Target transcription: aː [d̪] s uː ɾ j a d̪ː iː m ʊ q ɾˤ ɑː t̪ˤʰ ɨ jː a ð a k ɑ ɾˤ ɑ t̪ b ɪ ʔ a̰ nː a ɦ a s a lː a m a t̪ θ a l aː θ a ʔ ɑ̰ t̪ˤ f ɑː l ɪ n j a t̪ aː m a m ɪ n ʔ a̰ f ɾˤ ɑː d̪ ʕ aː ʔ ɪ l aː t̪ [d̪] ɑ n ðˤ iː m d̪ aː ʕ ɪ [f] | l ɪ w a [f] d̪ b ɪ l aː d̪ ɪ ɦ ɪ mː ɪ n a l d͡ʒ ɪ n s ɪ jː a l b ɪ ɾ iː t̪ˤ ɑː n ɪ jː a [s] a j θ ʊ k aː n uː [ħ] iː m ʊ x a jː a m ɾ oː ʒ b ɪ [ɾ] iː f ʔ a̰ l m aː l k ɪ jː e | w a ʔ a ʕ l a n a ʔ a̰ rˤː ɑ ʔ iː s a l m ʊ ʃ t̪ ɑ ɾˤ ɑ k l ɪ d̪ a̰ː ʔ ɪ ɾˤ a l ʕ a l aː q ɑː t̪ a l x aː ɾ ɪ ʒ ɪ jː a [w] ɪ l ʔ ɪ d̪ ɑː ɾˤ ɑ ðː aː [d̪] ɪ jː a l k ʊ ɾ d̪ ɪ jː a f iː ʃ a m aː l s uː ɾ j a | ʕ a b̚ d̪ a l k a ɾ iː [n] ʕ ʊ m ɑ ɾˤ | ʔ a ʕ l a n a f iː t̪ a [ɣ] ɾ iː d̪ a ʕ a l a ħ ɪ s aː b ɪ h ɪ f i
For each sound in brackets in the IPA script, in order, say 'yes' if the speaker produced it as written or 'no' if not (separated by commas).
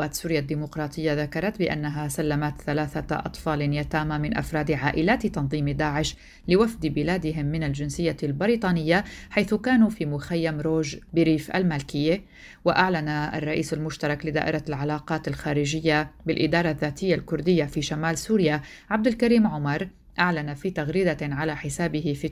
no, no, no, yes, no, no, yes, no, no, no, yes